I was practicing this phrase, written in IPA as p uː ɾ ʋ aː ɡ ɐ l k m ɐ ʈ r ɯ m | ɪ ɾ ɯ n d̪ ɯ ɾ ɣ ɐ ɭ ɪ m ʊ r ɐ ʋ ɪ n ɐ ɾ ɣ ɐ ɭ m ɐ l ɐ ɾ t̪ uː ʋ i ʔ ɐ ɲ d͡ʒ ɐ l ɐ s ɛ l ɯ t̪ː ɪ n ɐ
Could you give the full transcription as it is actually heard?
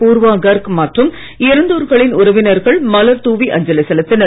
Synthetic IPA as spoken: p uː ɾ ʋ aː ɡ ɐ ɾ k m ɐ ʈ r ɯ m | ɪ ɾ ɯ n d̪ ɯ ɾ ɣ ɐ ɭ ɪ n ʊ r ɐ ʋ ɪ n ɐ ɾ ɣ ɐ ɭ m ɐ l ɐ ɾ t̪ uː ʋ i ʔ ɐ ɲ d͡ʒ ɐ l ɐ s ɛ l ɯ t̪ː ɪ n ɐ